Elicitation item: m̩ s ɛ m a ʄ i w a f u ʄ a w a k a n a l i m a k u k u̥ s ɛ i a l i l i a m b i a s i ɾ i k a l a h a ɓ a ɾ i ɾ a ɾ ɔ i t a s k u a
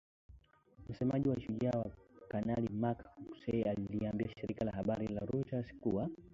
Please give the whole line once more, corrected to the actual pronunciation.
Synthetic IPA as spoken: m̩ s ɛ m a ʄ i w a ʃ u ʄ a w a k a n a l i m a k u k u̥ s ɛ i a l i l i a m b i a ʃ i ɾ i k a l a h a ɓ a ɾ i l a ɾ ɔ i t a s k u a